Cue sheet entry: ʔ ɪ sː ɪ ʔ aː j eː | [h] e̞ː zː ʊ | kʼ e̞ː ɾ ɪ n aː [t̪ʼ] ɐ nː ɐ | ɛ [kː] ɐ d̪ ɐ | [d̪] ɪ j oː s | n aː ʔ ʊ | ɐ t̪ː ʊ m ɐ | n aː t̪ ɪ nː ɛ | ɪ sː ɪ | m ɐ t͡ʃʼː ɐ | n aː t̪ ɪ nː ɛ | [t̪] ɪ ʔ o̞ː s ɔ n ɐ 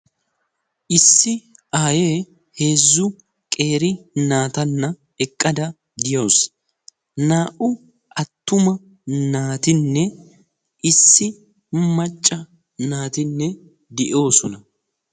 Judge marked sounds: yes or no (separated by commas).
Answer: yes, no, no, yes, no